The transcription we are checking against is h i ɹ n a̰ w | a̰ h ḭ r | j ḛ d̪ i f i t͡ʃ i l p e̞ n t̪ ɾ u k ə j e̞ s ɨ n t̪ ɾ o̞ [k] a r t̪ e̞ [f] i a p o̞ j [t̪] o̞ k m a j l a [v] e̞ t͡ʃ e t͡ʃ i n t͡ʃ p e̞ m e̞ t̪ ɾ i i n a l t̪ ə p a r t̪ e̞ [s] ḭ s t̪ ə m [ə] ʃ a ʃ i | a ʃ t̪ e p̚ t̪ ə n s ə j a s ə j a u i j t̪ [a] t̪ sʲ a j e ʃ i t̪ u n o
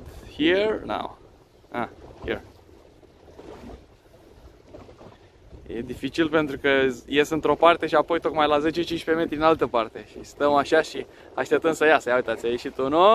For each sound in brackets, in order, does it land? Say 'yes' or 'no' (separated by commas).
no, no, yes, no, no, no, yes